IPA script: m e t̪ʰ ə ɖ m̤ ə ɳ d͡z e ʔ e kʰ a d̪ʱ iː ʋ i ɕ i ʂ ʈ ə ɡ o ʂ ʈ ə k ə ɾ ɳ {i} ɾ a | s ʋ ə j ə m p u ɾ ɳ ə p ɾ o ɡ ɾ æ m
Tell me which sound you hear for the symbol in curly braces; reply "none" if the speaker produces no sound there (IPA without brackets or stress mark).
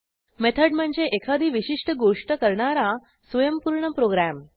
a